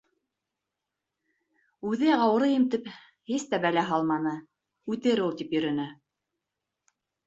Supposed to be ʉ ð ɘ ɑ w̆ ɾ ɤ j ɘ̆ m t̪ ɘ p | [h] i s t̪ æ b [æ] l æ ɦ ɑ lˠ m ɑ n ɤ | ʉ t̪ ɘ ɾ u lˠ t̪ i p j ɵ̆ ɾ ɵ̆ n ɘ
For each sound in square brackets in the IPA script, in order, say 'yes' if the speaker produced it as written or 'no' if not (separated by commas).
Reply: yes, yes